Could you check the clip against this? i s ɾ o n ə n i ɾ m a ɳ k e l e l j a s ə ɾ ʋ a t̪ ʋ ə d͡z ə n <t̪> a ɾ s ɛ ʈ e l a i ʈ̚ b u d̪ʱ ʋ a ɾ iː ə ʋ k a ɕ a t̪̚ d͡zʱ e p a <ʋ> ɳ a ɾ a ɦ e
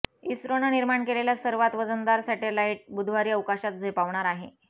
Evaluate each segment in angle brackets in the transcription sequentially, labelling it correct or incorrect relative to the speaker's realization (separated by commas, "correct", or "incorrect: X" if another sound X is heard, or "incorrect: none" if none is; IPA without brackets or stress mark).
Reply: incorrect: d̪, correct